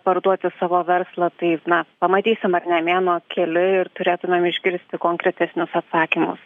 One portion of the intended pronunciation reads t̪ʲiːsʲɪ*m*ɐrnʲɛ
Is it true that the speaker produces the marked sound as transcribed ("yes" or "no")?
yes